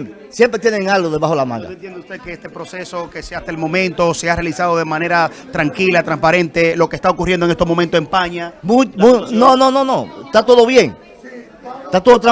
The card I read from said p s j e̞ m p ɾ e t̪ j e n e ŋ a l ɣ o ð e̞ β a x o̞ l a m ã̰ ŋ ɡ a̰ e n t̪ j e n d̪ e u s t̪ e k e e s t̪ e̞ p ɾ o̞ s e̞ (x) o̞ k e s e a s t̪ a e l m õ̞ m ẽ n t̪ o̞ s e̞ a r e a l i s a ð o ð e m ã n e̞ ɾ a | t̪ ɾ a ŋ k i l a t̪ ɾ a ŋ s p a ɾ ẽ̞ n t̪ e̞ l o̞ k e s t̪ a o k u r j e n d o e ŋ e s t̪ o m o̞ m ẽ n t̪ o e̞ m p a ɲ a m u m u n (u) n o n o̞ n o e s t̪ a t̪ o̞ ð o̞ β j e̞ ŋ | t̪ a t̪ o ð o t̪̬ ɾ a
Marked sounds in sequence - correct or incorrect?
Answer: incorrect, incorrect

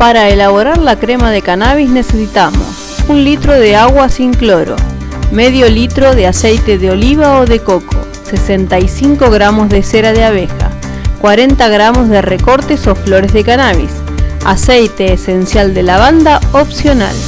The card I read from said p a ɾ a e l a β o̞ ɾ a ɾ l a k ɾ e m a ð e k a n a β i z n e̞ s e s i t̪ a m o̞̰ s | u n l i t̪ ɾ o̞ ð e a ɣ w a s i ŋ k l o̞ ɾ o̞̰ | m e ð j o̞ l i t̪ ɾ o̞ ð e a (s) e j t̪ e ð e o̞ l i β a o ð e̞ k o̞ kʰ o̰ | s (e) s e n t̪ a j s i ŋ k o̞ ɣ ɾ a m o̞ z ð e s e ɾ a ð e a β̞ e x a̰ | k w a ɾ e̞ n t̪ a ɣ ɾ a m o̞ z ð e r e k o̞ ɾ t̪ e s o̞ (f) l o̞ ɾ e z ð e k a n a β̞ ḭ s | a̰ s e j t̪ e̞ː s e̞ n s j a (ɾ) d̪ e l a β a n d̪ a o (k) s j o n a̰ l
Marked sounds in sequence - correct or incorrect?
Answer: correct, correct, correct, incorrect, incorrect

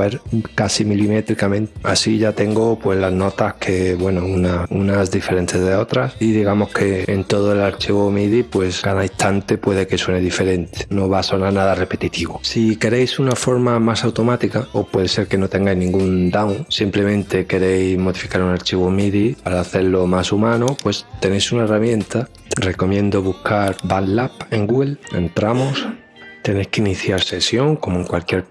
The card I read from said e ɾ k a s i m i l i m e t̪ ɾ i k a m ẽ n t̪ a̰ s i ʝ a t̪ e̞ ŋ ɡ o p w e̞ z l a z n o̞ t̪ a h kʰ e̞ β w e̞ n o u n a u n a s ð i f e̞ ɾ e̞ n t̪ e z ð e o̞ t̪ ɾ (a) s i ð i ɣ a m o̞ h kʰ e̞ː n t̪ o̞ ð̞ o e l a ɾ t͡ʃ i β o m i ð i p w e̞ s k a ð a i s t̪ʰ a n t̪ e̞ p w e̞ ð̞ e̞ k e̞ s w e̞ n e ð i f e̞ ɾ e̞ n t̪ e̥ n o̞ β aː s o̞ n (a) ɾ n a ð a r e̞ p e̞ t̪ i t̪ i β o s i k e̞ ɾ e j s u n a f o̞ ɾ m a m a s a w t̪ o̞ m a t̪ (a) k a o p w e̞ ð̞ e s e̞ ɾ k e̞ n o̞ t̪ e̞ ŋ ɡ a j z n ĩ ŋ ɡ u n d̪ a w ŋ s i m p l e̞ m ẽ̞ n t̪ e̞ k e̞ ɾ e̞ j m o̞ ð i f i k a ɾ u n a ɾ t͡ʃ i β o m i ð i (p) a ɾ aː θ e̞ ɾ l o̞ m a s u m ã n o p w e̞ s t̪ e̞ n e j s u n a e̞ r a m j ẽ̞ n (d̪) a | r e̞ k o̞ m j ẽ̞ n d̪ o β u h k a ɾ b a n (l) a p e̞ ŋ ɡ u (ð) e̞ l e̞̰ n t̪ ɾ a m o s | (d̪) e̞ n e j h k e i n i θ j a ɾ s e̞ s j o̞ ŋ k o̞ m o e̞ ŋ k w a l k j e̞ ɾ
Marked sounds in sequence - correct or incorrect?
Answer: correct, correct, incorrect, correct, incorrect, correct, incorrect, incorrect

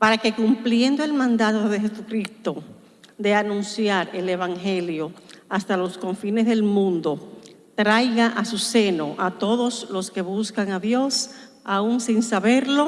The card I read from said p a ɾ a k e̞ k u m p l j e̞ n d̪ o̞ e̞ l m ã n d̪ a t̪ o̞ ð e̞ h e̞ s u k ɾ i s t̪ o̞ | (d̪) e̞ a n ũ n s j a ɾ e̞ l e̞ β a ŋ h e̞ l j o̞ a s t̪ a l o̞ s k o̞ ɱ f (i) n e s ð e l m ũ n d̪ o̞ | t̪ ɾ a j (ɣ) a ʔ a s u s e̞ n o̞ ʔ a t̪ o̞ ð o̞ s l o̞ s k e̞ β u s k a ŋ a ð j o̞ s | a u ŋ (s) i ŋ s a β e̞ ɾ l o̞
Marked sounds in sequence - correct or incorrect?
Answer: correct, correct, correct, correct

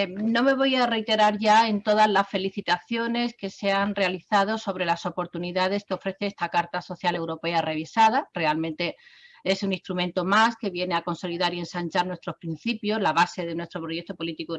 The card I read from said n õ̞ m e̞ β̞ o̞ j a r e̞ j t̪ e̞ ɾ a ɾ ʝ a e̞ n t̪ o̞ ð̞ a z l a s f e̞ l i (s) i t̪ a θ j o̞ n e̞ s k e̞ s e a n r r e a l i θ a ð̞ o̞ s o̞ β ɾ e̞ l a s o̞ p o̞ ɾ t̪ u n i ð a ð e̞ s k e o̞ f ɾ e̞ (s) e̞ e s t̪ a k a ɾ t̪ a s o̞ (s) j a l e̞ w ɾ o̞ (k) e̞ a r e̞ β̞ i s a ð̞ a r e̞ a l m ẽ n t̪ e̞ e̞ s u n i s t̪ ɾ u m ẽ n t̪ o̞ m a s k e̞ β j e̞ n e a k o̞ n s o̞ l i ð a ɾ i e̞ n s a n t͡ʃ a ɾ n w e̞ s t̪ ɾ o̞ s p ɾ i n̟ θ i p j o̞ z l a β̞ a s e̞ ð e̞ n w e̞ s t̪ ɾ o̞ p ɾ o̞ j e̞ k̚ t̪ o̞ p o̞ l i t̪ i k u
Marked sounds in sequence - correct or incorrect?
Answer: incorrect, incorrect, incorrect, incorrect

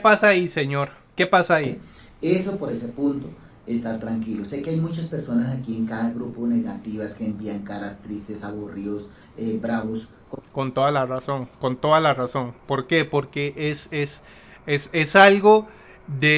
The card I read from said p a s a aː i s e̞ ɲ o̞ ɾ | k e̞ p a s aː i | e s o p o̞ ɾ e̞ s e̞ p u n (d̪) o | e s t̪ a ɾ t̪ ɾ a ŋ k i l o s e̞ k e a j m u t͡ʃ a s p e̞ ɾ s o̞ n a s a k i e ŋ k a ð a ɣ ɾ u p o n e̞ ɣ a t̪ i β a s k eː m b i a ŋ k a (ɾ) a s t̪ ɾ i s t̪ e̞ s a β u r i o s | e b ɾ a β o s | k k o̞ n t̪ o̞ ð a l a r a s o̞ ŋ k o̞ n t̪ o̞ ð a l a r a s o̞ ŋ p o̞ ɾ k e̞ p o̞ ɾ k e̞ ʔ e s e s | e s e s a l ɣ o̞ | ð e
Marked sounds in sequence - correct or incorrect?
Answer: incorrect, correct

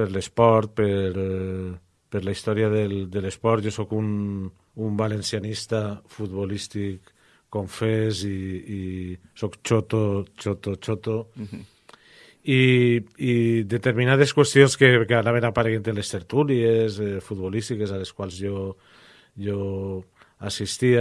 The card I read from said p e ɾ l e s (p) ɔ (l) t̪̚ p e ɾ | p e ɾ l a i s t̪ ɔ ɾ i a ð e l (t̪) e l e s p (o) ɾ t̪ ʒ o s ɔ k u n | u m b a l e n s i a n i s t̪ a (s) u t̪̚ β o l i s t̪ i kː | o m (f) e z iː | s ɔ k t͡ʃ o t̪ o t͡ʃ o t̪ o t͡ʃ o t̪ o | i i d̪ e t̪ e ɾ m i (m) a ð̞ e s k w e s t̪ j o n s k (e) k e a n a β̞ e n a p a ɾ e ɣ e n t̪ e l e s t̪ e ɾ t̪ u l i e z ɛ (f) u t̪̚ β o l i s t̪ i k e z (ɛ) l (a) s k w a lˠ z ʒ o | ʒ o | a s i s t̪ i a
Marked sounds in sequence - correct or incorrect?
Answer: correct, incorrect, incorrect, incorrect, incorrect, correct, incorrect, correct, correct, incorrect, incorrect

